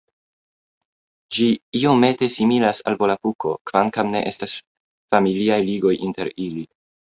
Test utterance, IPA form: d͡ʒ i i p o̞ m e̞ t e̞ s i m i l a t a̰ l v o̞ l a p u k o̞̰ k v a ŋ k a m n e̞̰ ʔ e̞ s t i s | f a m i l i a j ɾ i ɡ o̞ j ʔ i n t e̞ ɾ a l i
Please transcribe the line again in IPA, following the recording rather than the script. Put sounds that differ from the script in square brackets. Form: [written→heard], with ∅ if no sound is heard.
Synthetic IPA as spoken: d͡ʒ i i [p→∅] o̞ m e̞ t e̞ s i m i l a [t→s] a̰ l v o̞ l a p u k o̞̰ k v a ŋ k a m n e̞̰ ʔ e̞ s t [i→a] s | f a m i l i a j [ɾ→l] i ɡ o̞ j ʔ i n t e̞ ɾ [a→i] l i